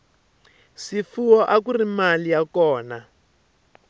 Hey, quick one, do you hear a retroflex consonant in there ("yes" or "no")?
no